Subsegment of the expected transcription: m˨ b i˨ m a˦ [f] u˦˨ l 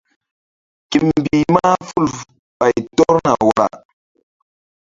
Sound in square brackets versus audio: correct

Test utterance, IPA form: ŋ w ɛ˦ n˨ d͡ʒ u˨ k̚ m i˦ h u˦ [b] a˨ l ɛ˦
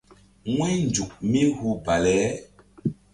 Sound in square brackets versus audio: correct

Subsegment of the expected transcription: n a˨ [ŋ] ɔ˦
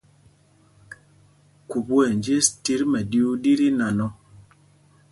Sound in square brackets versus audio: incorrect: n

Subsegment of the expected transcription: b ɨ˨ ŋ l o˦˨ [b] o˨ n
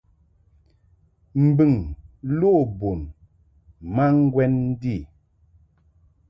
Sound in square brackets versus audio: correct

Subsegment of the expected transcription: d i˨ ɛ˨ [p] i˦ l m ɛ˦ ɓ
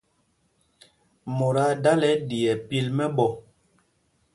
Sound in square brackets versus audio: correct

